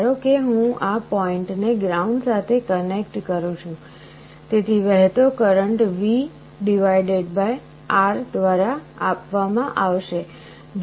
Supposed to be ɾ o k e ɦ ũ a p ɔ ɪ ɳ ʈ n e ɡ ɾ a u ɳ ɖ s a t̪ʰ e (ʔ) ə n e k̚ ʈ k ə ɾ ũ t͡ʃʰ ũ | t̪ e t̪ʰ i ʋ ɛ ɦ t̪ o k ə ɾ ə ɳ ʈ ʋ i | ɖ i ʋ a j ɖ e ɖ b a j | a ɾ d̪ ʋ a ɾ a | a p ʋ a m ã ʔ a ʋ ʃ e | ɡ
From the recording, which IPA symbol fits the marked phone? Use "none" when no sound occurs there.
k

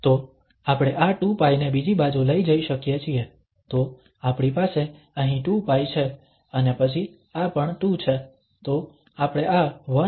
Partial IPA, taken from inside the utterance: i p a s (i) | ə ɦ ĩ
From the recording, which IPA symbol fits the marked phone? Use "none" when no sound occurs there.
e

